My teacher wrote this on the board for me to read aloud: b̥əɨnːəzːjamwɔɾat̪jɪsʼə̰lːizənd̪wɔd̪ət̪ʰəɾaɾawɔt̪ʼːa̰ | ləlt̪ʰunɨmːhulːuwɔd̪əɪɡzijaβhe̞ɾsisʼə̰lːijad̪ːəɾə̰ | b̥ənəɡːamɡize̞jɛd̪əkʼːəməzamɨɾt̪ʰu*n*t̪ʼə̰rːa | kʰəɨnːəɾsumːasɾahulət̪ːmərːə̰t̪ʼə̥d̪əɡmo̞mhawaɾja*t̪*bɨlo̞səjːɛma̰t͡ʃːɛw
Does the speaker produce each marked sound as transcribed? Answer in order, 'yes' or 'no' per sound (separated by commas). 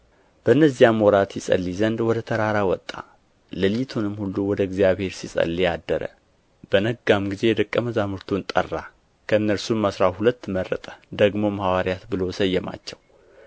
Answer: yes, yes